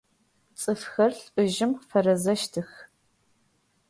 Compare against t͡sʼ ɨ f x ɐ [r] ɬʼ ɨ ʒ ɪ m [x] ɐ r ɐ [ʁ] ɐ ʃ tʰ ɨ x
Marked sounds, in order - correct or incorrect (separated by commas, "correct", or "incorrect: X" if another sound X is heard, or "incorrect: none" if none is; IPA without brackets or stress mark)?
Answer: correct, incorrect: f, incorrect: z